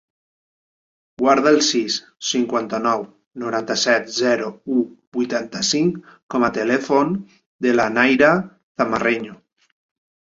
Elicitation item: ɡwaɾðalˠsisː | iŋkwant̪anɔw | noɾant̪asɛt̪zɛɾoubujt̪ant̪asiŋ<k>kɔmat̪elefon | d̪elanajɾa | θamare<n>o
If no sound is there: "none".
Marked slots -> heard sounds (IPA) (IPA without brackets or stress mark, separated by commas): k, ɲ